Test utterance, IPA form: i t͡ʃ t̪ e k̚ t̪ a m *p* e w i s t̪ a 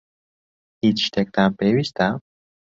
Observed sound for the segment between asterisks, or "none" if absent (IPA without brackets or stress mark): p